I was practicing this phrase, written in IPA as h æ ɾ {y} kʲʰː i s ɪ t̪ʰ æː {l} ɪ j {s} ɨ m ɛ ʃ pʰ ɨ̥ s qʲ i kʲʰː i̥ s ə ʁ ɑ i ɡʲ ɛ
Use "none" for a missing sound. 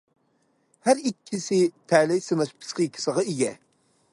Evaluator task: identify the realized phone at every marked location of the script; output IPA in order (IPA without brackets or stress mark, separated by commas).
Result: i, l, s